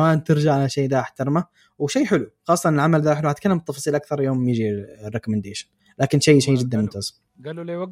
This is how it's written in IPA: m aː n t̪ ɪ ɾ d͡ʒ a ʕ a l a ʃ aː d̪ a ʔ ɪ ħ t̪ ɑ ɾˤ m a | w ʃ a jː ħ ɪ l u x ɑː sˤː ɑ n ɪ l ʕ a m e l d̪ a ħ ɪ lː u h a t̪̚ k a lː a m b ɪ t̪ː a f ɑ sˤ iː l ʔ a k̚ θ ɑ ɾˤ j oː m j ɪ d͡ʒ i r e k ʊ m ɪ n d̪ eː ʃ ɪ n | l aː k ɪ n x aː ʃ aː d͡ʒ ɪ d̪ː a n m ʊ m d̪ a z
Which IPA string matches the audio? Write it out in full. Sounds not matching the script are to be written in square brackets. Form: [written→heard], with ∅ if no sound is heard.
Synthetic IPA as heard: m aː n t̪ ɪ ɾ d͡ʒ a ʕ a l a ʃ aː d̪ a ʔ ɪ ħ t̪ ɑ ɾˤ m a | w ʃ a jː ħ ɪ l u x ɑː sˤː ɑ n ɪ l ʕ a m [e→a] l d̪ a ħ ɪ [lː→l] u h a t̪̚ k a lː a m b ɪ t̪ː [a→ɑ] f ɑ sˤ iː l ʔ a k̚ θ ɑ ɾˤ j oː m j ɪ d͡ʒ i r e k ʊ m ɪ n d̪ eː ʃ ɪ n | l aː k ɪ n [x→ʃ] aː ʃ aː d͡ʒ ɪ d̪ː a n m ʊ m [d̪→t̪] a z